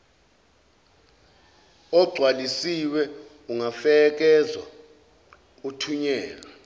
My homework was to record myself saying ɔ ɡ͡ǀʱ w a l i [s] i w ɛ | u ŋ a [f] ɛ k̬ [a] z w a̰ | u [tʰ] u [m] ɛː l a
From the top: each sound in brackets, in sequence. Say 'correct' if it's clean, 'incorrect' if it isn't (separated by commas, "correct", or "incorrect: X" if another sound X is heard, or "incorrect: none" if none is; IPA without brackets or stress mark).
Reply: correct, correct, incorrect: ɛ, correct, incorrect: ɲ